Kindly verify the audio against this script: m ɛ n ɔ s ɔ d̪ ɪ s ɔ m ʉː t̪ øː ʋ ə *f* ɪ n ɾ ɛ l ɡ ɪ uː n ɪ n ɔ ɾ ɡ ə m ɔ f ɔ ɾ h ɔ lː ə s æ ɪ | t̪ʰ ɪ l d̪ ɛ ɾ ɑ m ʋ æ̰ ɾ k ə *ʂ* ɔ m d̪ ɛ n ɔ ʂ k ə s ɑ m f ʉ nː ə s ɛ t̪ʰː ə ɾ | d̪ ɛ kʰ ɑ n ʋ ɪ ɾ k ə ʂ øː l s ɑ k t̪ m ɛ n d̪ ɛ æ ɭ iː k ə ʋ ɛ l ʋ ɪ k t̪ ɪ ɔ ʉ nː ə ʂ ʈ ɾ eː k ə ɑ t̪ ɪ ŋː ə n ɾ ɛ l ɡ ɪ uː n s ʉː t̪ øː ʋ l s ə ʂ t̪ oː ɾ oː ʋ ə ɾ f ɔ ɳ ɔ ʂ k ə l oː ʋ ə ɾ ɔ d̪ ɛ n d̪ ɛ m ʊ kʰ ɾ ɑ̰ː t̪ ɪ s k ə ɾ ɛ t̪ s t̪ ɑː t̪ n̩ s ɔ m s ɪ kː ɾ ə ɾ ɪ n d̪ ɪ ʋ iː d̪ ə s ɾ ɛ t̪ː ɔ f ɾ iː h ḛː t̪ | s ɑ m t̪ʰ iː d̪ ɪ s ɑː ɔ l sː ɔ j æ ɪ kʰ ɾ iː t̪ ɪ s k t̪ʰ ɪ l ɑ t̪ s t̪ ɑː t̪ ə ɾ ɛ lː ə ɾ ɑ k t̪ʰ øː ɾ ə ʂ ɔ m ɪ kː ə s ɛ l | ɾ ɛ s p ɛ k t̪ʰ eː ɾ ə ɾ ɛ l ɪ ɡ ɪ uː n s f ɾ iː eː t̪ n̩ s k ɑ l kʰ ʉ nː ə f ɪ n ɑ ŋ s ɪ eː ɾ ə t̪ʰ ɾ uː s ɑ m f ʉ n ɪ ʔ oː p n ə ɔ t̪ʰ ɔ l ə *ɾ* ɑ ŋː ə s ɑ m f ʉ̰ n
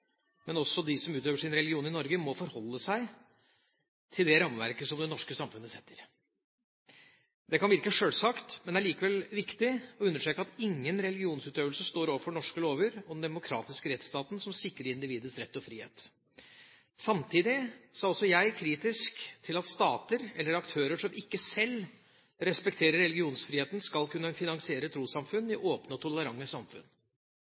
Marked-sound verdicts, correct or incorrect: incorrect, incorrect, correct

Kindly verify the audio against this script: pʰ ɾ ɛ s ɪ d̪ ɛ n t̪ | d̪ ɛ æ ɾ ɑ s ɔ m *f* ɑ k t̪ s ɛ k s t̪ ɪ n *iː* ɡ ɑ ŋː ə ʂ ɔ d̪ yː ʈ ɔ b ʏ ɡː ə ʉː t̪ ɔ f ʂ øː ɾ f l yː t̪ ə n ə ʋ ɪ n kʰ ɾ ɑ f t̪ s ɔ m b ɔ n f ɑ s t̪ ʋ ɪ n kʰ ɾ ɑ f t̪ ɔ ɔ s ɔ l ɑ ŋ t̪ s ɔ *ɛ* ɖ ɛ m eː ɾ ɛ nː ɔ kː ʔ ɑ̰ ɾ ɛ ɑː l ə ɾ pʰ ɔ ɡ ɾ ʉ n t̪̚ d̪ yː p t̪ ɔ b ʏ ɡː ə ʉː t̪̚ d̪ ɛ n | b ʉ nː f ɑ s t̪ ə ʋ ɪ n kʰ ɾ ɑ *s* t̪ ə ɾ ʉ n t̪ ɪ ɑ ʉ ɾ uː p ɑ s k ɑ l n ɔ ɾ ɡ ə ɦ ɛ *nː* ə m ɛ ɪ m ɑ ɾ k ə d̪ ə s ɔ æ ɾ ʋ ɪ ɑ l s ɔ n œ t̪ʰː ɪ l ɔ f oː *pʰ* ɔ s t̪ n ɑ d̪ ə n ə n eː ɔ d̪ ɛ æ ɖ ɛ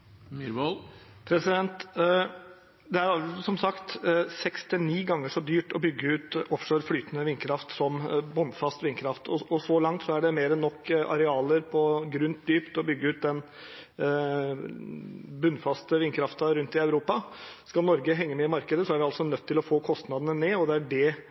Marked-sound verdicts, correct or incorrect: incorrect, correct, incorrect, incorrect, incorrect, incorrect

